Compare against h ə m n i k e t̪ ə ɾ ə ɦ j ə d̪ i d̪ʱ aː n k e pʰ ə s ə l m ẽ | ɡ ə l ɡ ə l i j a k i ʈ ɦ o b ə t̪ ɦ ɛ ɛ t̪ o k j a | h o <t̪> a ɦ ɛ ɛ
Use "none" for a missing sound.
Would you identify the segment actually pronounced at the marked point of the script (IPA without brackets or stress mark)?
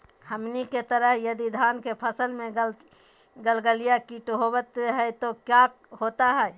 t̪